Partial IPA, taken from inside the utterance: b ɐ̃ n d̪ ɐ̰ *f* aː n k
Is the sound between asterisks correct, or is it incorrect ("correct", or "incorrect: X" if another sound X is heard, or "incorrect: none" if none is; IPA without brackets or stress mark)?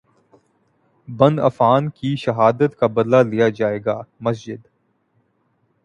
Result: correct